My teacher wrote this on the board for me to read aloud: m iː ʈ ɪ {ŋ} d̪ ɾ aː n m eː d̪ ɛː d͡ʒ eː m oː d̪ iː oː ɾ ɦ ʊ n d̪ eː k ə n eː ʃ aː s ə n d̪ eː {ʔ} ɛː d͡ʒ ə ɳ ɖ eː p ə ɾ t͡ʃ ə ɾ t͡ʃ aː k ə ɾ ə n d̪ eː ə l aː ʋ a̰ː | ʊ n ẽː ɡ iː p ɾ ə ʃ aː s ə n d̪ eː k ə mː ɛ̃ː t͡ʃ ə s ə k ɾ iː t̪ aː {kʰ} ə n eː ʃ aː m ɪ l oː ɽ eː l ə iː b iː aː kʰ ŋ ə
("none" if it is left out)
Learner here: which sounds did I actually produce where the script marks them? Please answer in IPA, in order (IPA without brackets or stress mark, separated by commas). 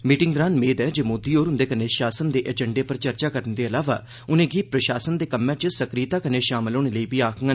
ŋ, ʔ, k